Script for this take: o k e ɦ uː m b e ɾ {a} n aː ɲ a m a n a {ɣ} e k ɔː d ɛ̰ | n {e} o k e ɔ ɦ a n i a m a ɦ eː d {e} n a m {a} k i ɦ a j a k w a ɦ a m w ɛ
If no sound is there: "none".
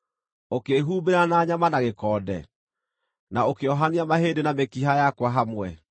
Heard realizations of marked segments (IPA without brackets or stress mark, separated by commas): a, ɣ, a, e, e